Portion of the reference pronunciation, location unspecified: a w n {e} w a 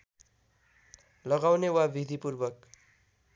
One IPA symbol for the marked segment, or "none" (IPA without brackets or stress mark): e